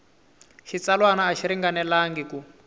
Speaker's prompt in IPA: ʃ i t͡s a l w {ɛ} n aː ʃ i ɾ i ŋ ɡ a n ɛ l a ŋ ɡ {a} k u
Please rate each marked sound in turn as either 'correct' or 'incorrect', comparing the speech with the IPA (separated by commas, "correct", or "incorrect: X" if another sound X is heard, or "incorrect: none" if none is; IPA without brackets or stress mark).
incorrect: a, incorrect: i